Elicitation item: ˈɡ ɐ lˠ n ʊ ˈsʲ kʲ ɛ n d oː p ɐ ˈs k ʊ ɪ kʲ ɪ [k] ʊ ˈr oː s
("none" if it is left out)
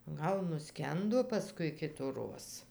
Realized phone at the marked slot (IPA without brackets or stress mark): t